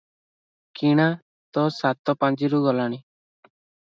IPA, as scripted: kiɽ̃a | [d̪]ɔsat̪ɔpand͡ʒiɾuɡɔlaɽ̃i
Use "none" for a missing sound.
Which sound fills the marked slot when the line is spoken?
t̪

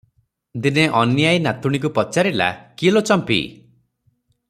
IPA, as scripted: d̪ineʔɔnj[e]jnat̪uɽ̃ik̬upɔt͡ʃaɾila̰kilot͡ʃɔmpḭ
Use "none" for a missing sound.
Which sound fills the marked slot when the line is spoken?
a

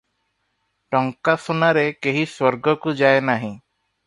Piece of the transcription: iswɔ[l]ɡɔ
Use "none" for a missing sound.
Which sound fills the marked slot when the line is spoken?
ɾ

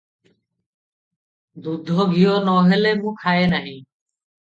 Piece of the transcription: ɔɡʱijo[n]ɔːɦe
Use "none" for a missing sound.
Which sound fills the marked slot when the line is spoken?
n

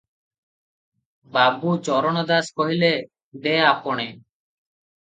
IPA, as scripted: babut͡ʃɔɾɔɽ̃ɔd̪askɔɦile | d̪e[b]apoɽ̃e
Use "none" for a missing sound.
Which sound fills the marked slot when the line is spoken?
none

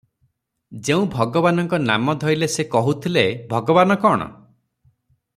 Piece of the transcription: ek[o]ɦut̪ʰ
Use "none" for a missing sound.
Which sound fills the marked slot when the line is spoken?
ɔ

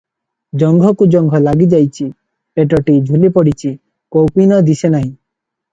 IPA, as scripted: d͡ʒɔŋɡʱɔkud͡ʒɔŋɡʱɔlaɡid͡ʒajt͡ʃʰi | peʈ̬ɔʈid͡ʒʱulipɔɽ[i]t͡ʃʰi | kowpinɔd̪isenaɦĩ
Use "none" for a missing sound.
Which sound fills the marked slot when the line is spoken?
i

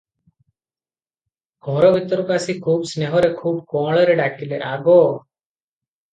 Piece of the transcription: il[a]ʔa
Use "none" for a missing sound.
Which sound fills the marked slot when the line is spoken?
e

